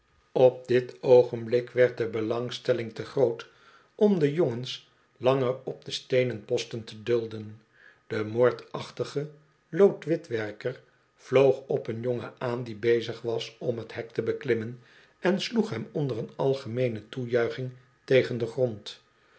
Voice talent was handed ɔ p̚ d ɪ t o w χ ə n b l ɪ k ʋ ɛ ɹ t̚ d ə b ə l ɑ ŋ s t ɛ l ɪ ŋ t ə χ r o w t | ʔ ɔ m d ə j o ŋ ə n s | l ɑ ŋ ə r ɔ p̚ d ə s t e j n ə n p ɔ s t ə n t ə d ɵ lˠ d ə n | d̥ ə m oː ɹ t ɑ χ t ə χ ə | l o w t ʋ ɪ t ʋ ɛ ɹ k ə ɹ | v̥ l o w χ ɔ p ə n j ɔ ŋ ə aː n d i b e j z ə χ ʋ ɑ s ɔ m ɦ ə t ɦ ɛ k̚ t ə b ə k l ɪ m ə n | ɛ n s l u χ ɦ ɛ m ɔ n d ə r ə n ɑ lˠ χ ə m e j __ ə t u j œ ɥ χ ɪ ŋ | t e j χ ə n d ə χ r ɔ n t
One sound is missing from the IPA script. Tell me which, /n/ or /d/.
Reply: n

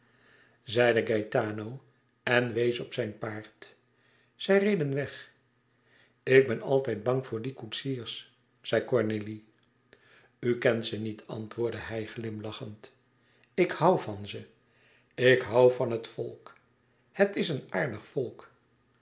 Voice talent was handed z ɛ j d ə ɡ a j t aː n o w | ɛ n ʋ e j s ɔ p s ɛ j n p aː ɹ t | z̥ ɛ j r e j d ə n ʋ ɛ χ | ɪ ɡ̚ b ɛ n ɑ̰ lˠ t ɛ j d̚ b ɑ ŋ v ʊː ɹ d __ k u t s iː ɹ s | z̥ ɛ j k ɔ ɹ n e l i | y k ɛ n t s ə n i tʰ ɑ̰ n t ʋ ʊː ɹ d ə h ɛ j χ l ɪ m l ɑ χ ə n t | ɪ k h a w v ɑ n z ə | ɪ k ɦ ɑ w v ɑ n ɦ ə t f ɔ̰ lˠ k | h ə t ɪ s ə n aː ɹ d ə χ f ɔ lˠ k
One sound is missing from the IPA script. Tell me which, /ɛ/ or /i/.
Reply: i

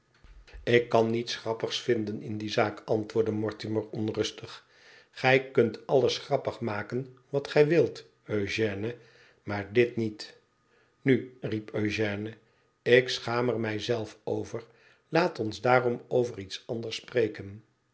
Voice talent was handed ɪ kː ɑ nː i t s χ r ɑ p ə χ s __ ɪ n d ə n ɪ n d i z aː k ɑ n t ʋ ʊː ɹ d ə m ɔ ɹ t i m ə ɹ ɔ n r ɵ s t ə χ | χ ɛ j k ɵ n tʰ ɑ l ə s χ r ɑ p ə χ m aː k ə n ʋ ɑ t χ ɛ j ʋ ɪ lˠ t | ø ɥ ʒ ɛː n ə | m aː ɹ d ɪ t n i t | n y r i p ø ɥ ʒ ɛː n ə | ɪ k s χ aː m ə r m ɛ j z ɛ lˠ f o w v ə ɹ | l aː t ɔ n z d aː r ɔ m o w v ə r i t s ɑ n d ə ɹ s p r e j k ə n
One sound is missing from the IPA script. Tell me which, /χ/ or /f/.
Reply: f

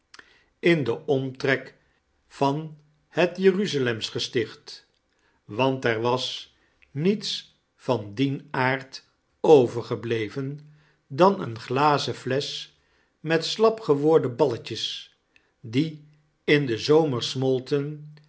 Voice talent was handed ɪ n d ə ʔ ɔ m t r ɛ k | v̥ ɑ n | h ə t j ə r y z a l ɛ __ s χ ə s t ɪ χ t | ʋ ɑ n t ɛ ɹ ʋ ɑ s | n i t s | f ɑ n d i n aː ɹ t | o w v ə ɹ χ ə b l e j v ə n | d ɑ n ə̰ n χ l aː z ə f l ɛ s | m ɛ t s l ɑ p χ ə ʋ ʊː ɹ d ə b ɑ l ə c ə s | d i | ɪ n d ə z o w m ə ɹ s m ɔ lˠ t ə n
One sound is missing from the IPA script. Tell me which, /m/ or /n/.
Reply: m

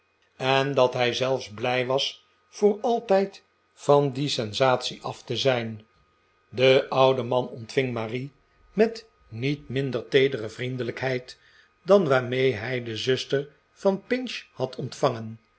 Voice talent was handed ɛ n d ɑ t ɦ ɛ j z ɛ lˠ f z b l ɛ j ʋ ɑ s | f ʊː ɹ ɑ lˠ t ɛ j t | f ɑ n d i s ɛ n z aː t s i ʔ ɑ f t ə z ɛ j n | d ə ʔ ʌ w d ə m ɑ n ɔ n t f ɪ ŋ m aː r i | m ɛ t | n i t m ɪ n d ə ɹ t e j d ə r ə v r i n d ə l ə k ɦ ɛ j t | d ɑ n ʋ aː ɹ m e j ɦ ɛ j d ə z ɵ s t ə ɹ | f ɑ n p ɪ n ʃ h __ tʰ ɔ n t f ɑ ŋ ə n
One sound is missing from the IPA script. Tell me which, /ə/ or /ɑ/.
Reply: ɑ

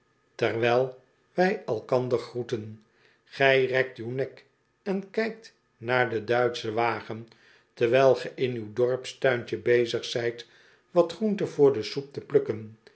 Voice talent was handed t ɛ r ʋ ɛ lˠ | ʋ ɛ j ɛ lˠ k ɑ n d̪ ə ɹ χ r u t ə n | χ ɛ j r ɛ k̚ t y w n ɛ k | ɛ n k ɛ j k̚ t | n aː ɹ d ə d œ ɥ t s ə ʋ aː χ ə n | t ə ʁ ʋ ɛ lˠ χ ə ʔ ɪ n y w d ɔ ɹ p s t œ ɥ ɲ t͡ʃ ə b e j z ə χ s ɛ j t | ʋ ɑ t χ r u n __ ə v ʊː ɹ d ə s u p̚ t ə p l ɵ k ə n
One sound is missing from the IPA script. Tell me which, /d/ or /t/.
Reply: t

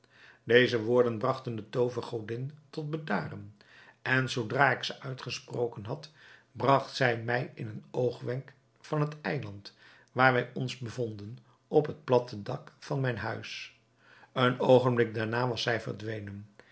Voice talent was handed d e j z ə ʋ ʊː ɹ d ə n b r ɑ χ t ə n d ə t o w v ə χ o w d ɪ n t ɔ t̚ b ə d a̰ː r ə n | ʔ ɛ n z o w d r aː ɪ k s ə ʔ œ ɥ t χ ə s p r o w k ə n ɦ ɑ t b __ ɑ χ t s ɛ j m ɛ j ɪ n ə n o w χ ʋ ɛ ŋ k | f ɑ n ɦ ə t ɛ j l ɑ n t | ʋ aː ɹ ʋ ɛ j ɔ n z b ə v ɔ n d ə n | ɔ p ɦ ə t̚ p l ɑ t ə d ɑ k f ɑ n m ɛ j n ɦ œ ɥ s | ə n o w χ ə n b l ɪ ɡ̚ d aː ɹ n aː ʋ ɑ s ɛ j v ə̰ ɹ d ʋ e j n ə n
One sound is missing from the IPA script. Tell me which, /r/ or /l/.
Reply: r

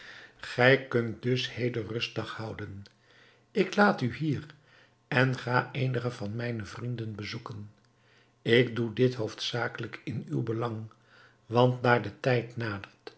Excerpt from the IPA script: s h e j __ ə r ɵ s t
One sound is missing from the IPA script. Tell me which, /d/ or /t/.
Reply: d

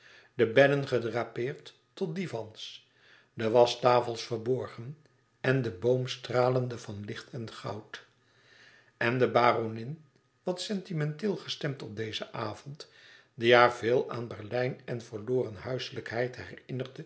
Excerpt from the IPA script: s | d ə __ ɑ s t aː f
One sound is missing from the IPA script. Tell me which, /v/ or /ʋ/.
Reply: ʋ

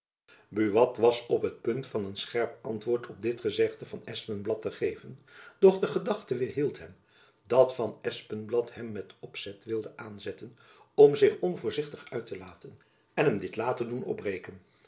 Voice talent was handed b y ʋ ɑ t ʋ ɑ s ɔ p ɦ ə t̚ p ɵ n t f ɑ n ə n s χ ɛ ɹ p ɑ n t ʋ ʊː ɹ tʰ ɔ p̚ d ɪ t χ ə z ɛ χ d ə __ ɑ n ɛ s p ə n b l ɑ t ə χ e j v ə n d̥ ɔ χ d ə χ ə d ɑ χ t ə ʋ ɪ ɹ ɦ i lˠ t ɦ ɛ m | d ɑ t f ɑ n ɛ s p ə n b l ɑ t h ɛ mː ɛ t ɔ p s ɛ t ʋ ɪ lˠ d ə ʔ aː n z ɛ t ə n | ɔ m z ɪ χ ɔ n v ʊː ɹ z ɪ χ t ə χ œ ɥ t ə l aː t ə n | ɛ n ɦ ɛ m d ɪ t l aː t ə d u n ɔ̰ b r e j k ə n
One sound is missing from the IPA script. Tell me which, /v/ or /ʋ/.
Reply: v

